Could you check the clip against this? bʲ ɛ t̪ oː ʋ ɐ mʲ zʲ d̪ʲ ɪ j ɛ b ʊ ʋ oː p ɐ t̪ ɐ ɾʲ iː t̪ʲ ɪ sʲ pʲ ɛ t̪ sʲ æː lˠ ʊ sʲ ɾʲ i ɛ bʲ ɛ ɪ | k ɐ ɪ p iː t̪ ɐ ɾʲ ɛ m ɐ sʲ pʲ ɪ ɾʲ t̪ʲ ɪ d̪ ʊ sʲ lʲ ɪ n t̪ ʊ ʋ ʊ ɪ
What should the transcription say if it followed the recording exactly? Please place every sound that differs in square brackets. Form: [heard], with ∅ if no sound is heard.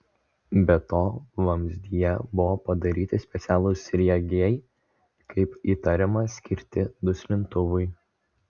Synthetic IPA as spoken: bʲ ɛ t̪ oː ʋ ɐ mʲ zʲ d̪ʲ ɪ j ɛ b ʊ ʋ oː p ɐ [d̪] ɐ ɾʲ iː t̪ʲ ɪ sʲ pʲ ɛ t̪ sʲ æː lˠ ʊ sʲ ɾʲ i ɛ [ɡʲ] ɛ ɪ | k ɐ ɪ p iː t̪ ɐ ɾʲ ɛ m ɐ sʲ [kʲ] ɪ ɾʲ t̪ʲ ɪ d̪ ʊ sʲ lʲ ɪ n t̪ ʊ ʋ ʊ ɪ